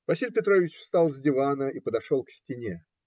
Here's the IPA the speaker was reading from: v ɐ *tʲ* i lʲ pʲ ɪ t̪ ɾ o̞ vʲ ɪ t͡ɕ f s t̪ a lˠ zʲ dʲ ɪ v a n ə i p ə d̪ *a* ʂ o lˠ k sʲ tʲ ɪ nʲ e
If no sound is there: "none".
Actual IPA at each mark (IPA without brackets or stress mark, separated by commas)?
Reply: sʲ, ɐ